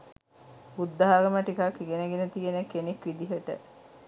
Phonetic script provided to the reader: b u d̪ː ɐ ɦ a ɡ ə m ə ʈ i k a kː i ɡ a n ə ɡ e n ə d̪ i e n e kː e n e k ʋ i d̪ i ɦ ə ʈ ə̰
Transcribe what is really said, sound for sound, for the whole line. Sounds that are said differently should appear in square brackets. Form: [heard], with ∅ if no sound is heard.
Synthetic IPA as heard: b u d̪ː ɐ ɦ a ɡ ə m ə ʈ i k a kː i ɡ [e] n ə ɡ e n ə [t̪] i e n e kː e n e k ʋ i d̪ i ɦ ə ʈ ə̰